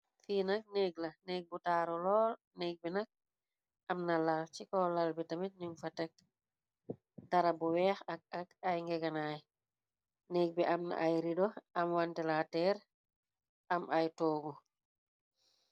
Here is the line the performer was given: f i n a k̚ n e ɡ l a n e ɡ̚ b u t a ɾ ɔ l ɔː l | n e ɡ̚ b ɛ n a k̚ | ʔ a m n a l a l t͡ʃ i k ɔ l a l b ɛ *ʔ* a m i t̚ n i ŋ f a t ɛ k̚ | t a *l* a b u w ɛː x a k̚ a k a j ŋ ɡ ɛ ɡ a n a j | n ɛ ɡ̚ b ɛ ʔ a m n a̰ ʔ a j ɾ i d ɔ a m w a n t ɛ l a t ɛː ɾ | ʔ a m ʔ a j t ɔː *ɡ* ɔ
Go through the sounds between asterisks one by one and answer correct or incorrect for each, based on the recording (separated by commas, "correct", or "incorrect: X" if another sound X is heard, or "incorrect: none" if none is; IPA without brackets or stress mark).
incorrect: t, incorrect: ɾ, correct